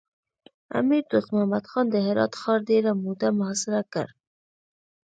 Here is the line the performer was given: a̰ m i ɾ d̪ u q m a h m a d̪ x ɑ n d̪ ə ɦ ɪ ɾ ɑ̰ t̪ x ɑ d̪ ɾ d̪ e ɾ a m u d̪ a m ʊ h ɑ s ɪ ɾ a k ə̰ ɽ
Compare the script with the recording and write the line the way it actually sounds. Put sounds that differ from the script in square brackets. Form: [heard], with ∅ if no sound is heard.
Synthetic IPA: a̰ m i ɾ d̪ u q m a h m a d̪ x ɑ n d̪ ə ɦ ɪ ɾ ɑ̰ t̪ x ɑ [∅] ɾ d̪ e ɾ a m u d̪ a m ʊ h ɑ s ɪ ɾ a k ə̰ [ɾ]